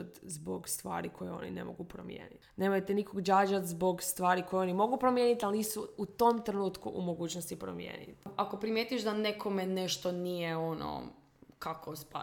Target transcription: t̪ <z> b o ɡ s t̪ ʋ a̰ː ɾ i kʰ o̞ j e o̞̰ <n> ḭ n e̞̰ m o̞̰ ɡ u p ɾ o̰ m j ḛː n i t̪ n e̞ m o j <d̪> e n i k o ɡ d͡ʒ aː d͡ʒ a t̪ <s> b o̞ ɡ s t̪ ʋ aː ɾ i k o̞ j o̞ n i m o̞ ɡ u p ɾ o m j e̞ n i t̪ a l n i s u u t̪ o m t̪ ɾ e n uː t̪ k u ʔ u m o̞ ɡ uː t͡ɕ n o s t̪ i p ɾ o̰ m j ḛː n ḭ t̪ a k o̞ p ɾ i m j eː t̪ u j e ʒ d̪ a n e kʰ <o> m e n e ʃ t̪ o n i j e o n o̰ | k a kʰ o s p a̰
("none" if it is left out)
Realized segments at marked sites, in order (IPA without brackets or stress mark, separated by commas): z, n, t̪, z, o